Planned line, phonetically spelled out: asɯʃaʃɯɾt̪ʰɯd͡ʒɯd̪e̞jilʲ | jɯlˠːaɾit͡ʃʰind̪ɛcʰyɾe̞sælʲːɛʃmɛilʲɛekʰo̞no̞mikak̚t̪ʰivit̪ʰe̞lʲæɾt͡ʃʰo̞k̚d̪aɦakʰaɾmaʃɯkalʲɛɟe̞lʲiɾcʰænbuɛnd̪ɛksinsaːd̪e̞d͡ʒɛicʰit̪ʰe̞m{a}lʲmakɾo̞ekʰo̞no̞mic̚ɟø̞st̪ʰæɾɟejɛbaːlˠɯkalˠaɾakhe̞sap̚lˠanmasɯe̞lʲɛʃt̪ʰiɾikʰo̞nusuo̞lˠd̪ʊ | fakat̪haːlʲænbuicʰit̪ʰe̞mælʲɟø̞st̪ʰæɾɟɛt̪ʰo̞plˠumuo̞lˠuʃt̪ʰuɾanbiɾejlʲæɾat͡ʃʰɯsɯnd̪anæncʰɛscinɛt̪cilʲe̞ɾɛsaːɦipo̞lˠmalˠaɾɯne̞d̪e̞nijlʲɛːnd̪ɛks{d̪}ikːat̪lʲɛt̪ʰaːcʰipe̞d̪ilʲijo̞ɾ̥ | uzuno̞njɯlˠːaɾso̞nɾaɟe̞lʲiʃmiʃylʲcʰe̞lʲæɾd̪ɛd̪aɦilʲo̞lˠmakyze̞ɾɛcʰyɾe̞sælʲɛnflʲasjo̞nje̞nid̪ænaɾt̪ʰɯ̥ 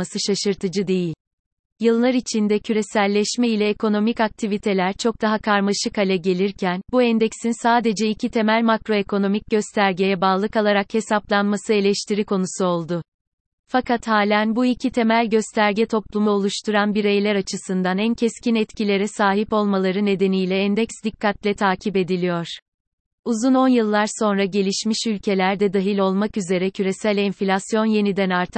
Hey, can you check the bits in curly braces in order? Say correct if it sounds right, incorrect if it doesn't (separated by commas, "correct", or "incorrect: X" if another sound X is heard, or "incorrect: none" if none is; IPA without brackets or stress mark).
incorrect: æ, correct